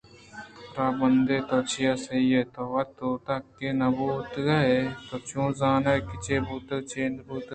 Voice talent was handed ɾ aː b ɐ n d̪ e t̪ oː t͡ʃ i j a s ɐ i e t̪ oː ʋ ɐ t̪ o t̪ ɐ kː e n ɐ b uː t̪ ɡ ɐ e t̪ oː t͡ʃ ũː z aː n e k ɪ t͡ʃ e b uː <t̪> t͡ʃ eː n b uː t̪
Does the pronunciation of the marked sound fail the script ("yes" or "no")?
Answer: no